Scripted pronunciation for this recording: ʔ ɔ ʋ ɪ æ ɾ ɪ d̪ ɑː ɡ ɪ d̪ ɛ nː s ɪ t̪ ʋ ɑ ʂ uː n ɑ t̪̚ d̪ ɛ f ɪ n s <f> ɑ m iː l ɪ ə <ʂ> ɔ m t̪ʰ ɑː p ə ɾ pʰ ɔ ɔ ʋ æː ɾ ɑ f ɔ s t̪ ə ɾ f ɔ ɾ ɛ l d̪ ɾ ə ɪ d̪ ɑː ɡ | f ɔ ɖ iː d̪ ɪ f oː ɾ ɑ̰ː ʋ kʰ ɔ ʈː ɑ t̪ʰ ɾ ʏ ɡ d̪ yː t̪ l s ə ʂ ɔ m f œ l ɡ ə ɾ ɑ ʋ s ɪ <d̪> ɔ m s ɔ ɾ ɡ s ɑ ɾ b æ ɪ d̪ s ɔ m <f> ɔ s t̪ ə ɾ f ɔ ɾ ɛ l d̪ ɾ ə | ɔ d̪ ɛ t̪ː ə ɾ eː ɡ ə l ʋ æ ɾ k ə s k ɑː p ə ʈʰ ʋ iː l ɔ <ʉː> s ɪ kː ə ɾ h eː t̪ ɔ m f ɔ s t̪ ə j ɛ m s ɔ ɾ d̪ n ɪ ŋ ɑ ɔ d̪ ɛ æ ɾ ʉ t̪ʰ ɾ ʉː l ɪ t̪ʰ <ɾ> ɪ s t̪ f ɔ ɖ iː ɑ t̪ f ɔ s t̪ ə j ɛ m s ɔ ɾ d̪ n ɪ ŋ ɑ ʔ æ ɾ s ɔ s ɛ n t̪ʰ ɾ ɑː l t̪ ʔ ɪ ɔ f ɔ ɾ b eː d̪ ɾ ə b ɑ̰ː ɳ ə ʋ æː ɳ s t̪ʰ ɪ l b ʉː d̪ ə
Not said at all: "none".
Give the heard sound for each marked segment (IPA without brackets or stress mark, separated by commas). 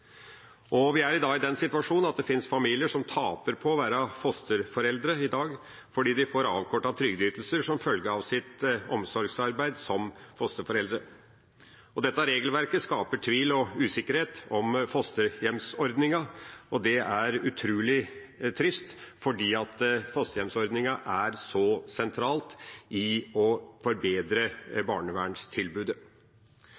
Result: f, ʂ, t̪, f, ʉː, ɾ